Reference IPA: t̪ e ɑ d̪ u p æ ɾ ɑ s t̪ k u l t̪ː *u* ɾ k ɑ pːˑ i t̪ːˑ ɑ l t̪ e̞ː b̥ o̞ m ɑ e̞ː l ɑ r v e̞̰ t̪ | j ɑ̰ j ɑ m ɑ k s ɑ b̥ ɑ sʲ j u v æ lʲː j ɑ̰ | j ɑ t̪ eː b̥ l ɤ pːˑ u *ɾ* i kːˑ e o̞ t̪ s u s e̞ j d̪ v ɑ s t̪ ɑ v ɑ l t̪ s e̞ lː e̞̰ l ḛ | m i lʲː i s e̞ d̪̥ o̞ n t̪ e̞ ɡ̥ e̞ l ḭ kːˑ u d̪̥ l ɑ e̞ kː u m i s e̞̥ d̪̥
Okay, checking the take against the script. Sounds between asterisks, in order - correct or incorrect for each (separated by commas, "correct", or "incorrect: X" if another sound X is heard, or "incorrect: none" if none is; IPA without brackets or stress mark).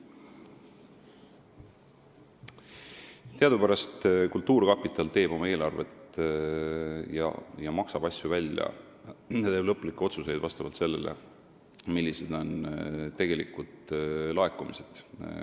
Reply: incorrect: uː, incorrect: l